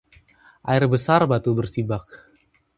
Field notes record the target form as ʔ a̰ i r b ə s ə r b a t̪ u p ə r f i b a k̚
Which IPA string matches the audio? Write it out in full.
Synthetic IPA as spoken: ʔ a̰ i r b ə s a r b a t̪ u b ə r s i b a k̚

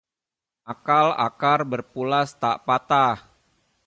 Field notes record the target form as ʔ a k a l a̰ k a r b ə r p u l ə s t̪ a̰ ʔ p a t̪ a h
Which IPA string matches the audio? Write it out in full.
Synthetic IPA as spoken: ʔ a k a l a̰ k a r b ə r p u l a s t̪ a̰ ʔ p a t̪ a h

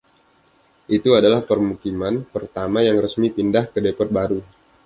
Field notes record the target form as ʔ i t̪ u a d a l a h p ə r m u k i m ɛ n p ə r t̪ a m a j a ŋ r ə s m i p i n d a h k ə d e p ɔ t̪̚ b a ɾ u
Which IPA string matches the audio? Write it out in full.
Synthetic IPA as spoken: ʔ i t̪ u a d a l a h p ə r m u k i m a n p ə r t̪ a m a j a ŋ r ə s m i p i n d a h k ə d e p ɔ t̪̚ b a ɾ u

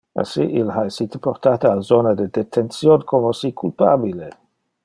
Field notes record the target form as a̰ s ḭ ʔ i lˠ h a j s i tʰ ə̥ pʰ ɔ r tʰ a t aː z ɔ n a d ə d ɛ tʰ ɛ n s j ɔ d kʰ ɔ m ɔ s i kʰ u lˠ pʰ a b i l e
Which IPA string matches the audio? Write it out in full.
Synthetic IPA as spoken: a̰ s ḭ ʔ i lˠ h a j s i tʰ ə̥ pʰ ɔ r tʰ a t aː z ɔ n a d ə d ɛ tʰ ɛ n s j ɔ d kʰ ɔ m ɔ s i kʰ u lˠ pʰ a b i l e

